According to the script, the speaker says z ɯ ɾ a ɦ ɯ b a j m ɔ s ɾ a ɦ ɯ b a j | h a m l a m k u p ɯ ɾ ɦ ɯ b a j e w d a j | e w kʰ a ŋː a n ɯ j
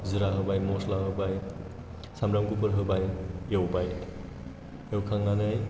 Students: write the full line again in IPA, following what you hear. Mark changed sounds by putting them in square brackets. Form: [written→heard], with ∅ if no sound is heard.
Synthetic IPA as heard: z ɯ ɾ a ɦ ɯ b a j m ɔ s [ɾ→l] a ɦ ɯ b a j | [h→s] a m [l→ɾ] a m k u p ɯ ɾ ɦ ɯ b a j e w [d→b] a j | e w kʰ a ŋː a n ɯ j